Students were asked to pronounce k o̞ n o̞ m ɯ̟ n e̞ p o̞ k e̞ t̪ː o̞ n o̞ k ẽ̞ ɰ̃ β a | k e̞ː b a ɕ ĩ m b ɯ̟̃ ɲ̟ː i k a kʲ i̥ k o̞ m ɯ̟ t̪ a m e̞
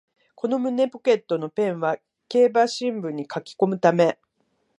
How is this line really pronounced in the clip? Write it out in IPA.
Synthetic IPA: k o̞ n o̞ m ɯ̟ n e̞ p o̞ k e̞ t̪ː o̞ n o̞ p ẽ̞ ɰ̃ β a | k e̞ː b a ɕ ĩ m b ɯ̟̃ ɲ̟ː i k a kʲ i̥ k o̞ m ɯ̟ t̪ a m e̞